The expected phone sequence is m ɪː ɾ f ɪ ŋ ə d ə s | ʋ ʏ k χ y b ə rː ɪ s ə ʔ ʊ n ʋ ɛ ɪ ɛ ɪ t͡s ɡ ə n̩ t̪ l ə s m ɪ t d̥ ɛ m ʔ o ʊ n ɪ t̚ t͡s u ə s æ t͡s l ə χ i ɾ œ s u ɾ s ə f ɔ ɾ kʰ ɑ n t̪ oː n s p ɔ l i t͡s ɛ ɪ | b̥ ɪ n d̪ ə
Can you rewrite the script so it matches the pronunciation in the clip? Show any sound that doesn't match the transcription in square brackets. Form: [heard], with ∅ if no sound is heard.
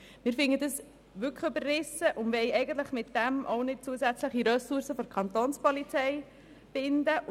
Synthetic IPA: m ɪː ɾ f ɪ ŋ ə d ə s | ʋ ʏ k χ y b ə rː ɪ s ə ʔ ʊ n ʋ ɛ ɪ ɛ ɪ [∅] ɡ ə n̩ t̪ l ə [χ] m ɪ t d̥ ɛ m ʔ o ʊ n ɪ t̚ t͡s u ə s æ t͡s l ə χ i ɾ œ s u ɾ s ə f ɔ ɾ kʰ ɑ n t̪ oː n s p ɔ l i t͡s ɛ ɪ | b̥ ɪ n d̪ ə

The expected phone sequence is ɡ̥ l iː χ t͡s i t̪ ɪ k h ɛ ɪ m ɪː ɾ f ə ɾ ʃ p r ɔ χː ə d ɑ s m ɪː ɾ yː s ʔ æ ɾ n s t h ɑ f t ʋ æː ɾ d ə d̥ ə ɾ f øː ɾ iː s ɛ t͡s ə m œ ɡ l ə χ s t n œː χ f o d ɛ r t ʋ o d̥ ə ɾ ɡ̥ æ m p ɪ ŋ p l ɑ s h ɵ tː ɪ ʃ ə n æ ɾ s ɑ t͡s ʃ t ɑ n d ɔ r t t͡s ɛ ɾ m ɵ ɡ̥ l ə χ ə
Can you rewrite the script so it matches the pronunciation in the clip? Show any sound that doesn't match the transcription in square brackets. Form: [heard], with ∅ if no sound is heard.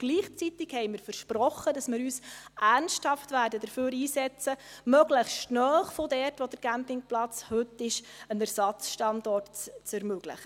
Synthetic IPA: ɡ̥ l iː χ t͡s i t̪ ɪ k h ɛ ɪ m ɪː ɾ f ə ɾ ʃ p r ɔ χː ə d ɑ s m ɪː ɾ yː s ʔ æ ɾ n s t h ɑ f t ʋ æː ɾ d ə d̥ ə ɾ f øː ɾ iː s ɛ t͡s ə m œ ɡ l ə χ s t n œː χ f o d ɛ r t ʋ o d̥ ə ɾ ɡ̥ æ m p ɪ ŋ p l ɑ [t͡s] h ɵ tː ɪ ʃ ə n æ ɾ s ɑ t͡s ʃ t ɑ n d ɔ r t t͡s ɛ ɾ m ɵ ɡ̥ l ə χ ə

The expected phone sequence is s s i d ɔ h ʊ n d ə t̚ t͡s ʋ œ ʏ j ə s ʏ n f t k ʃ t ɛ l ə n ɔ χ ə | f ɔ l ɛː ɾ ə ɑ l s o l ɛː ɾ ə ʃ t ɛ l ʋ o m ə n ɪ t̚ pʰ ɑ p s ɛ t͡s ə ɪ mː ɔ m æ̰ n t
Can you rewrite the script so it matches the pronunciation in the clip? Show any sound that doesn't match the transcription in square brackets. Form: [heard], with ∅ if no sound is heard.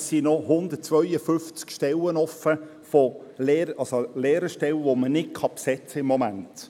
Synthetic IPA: s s i [n] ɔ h ʊ n d ə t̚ t͡s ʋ œ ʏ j ə [f] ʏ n f [t͡s] k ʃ t ɛ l ə n ɔ [f] ə | f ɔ l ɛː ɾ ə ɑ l s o l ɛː ɾ ə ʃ t ɛ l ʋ o m ə n ɪ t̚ [kʰ] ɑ p s ɛ t͡s ə ɪ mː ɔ m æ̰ n t

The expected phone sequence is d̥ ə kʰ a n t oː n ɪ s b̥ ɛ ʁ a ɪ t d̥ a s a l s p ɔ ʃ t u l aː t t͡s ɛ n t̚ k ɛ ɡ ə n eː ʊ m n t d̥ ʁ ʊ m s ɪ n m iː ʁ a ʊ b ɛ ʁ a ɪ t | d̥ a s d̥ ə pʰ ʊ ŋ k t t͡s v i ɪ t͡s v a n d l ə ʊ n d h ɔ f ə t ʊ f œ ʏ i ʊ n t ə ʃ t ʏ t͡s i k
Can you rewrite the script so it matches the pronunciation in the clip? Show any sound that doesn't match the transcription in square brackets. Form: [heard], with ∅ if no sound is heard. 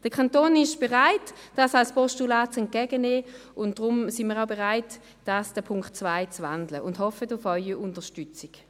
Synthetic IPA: d̥ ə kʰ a n t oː n ɪ [ʃ] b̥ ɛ ʁ a ɪ t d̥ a s a l s p ɔ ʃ t u l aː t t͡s ɛ n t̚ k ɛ ɡ ə n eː ʊ [∅] n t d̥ ʁ ʊ m s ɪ n m iː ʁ a ʊ b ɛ ʁ a ɪ t | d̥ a s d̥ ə pʰ ʊ ŋ k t t͡s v [a] ɪ t͡s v a n d l ə ʊ n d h ɔ f ə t ʊ f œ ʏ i ʊ n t ə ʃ t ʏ t͡s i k

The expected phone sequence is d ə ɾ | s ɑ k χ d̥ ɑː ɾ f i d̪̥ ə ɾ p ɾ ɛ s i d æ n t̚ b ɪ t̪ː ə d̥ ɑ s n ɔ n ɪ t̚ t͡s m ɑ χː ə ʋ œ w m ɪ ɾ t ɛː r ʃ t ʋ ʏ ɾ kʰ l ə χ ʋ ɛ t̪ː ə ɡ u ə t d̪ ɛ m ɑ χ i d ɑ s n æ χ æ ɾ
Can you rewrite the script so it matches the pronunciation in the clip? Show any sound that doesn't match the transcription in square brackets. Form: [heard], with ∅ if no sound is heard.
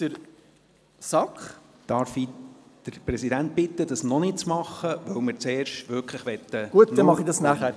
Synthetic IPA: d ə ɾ | s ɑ k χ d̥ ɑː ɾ f i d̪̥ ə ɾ p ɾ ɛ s i d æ n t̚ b ɪ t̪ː ə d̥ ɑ s n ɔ n ɪ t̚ t͡s m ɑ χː ə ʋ œ w m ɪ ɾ [t͡s] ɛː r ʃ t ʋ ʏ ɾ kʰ l ə χ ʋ ɛ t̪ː ə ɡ u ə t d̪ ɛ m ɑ χ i d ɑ s n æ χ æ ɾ

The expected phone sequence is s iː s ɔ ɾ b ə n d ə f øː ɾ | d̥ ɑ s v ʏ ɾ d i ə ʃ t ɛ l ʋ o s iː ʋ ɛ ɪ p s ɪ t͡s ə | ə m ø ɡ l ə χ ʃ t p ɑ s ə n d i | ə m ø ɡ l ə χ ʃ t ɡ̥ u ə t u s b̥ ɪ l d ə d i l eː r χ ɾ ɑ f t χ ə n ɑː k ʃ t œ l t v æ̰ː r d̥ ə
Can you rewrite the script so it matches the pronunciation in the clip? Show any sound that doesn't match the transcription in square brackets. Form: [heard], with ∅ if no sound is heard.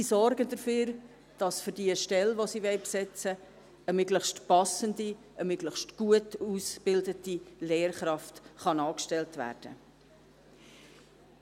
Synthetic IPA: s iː s ɔ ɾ [ɡ] ə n d ə f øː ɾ | d̥ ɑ s [f] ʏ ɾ d i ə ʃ t ɛ l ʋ o s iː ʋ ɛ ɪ p s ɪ t͡s ə | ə m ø ɡ l ə χ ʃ t p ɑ s ə n d i | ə m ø ɡ l ə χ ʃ t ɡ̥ u ə t u s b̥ ɪ l d ə [t] i l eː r χ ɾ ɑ f t χ [ɑ] n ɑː k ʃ t [ɛ] l t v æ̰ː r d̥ ə

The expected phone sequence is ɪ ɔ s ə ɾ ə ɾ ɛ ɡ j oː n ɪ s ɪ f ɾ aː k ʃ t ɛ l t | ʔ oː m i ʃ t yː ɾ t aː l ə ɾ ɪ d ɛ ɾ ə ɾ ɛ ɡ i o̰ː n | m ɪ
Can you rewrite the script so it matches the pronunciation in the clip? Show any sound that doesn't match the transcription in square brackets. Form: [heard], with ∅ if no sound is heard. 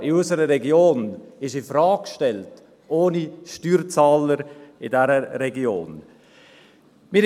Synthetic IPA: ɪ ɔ s ə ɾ ə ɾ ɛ ɡ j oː n ɪ [ʃ] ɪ f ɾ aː k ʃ t ɛ l t | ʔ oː [n] i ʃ t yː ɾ [t͡s] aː l ə ɾ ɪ d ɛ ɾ ə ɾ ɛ ɡ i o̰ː n | m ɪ

